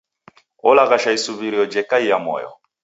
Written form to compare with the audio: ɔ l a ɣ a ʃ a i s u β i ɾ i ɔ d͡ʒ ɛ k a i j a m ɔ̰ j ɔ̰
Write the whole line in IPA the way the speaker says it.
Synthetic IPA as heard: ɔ l a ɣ a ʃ a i s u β i ɾ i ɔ d͡ʒ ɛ k a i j a m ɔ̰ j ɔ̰